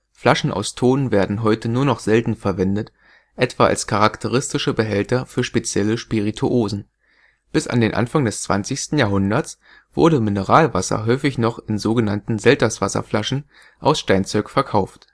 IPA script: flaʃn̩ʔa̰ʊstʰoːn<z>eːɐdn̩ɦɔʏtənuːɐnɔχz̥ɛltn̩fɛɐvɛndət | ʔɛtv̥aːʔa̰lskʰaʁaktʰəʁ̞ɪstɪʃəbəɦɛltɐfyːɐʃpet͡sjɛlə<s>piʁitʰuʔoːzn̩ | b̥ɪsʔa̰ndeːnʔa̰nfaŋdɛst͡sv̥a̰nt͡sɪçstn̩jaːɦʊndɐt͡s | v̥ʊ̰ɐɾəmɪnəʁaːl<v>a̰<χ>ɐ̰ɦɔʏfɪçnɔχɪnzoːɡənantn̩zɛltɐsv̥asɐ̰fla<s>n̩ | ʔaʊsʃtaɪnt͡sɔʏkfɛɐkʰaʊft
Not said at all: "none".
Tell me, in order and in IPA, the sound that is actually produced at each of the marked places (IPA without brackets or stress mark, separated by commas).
v, ʃ, v, s, ʃ